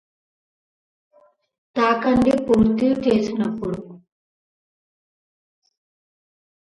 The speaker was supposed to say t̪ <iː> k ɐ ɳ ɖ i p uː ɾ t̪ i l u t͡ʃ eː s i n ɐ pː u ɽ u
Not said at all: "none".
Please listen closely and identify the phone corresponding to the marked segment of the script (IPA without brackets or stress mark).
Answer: aː